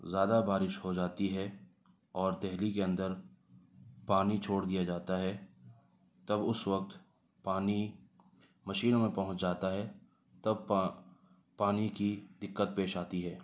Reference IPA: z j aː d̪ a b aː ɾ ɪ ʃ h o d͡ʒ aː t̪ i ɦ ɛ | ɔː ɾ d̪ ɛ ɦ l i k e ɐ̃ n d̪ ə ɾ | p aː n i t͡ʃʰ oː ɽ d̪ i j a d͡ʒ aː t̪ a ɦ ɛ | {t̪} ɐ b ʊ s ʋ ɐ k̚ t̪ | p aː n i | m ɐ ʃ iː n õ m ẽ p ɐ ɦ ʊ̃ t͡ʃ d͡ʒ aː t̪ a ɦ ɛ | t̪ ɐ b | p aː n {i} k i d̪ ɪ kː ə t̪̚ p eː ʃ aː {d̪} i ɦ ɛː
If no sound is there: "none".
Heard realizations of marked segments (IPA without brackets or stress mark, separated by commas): t̪, i, t̪